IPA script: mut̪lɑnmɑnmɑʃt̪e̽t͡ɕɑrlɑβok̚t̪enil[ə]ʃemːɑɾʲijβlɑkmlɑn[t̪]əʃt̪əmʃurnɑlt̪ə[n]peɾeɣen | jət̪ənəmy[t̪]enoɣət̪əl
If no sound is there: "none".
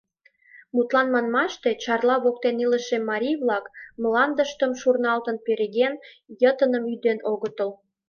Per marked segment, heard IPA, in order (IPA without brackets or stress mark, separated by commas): ə, d̪, n, d̪